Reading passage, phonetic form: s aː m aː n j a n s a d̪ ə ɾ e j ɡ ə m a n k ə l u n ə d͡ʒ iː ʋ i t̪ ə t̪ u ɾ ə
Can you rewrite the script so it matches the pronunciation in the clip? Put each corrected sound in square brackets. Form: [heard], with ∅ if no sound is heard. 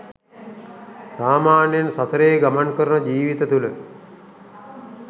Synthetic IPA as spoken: s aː m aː n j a n s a [t̪] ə ɾ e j ɡ [a] m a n k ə [ɾ] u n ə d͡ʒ iː ʋ i t̪ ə t̪ u [l] ə